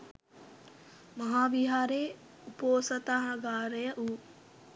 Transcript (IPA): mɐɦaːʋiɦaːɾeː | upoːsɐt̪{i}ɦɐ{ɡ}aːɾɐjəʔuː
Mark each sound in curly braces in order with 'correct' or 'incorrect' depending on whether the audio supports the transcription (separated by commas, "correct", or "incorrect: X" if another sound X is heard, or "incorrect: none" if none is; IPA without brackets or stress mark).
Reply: incorrect: a, correct